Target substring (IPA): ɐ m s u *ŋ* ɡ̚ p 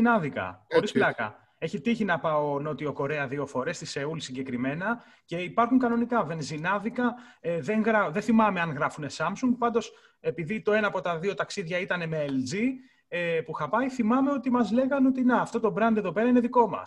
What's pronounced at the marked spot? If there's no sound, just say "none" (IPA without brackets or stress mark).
ŋ